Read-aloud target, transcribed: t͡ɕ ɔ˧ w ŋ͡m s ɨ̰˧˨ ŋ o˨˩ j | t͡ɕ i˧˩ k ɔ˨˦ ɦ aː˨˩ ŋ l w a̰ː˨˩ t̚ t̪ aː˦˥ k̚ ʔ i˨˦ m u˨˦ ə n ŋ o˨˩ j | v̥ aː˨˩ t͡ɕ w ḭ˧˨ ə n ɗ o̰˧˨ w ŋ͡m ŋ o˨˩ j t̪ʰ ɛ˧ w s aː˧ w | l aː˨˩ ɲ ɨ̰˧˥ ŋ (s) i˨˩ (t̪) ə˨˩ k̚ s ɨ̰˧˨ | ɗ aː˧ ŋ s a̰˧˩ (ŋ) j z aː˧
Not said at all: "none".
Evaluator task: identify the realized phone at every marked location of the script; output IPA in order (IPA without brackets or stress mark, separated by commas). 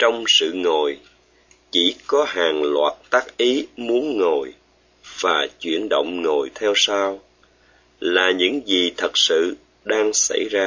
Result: z, t̪ʰ, none